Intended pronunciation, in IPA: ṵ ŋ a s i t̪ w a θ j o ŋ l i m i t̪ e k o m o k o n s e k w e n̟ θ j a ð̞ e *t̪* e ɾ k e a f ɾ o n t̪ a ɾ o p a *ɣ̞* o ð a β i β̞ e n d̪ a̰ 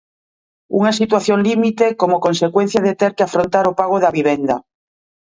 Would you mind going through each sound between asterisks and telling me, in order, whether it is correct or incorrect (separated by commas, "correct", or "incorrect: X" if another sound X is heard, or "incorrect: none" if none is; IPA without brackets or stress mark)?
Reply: correct, correct